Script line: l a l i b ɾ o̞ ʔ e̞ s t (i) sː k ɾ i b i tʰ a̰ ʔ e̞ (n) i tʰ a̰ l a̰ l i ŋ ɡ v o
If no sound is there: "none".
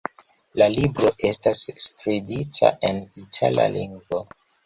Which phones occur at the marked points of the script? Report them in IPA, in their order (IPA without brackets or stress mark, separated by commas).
a, n